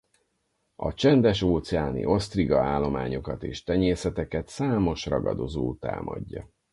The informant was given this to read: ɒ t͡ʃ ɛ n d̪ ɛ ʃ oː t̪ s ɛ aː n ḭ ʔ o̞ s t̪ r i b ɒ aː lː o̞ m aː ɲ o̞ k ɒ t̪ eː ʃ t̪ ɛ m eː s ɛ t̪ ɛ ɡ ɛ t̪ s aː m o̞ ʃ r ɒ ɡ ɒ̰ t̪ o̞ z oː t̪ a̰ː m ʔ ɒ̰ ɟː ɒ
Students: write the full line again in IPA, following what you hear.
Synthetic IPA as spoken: ɒ t͡ʃ ɛ n d̪ ɛ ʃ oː t̪ s ɛ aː n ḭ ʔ o̞ s t̪ r i ɡ ɒ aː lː o̞ m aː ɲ o̞ k ɒ t̪ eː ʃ t̪ ɛ ɲ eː s ɛ t̪ ɛ k ɛ t̪ s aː m o̞ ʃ r ɒ ɡ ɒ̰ d̪ o̞ z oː t̪ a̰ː m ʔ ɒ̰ ɟː ɒ